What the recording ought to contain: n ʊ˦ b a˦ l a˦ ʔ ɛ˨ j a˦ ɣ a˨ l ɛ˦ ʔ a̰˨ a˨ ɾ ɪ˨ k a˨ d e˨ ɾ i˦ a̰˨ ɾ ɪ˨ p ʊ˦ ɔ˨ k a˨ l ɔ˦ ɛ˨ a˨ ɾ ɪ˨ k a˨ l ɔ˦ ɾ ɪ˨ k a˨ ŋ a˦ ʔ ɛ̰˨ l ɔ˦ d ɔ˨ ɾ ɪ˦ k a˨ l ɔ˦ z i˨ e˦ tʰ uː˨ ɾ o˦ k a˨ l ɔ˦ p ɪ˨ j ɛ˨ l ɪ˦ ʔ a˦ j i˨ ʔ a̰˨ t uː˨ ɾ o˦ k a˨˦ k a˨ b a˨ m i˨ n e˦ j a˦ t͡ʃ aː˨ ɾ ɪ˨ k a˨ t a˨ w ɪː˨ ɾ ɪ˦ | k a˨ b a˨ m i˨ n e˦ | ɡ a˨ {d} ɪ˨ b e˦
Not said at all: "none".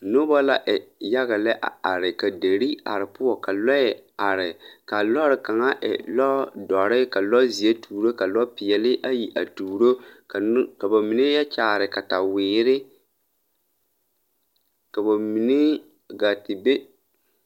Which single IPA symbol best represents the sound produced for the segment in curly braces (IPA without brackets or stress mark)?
t